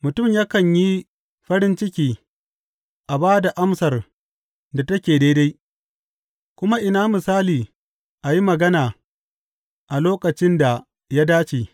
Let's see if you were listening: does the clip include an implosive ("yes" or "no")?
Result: no